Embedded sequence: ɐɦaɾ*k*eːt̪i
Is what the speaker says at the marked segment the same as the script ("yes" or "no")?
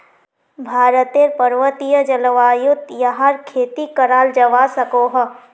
no